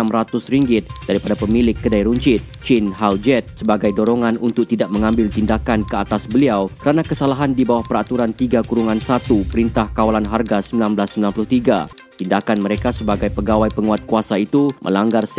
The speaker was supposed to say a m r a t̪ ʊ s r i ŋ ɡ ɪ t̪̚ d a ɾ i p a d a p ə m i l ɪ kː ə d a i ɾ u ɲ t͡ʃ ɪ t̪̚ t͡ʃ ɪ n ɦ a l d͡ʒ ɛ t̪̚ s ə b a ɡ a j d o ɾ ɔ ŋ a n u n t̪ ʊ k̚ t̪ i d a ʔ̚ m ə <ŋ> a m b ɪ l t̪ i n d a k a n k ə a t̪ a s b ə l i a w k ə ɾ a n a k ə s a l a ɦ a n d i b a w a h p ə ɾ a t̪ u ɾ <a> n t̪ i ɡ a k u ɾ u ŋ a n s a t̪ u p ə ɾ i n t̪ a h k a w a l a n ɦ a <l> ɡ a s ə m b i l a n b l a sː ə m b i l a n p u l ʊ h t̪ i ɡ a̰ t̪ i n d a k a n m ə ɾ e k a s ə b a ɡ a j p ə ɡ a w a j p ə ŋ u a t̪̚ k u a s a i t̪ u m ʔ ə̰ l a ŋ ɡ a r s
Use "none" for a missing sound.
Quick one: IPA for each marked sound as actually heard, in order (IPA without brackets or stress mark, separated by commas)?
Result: ŋ, a, r